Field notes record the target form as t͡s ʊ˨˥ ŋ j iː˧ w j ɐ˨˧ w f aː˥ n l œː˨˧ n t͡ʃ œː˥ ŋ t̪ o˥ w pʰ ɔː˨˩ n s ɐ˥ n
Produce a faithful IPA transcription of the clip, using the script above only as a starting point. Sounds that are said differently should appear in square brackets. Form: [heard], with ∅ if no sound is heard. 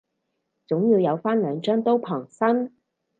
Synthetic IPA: t͡s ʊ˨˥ ŋ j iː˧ w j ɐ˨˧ w f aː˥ n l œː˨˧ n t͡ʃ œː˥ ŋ t̪ o˥ w pʰ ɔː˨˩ [ŋ] s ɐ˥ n